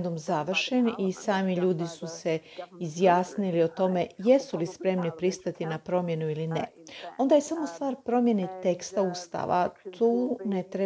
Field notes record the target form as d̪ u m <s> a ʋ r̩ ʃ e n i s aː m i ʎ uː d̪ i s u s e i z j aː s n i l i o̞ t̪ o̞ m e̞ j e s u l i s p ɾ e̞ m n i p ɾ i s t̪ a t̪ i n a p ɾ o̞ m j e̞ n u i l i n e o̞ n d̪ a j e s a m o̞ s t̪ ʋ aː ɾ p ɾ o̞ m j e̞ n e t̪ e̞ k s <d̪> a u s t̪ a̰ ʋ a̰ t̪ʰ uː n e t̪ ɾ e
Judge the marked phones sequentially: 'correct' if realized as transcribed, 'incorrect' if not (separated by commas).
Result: incorrect, incorrect